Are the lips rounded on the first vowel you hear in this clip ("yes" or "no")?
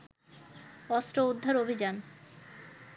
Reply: yes